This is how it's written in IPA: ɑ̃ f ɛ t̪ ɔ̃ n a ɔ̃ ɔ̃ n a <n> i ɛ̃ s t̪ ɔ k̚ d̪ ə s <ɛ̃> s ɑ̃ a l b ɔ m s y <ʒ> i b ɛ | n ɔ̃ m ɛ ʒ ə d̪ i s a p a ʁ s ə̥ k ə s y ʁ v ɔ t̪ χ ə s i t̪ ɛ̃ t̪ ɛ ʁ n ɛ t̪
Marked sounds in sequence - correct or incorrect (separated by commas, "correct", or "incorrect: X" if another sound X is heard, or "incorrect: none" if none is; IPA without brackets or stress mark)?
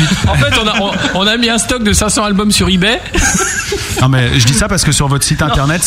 incorrect: m, correct, incorrect: ʁ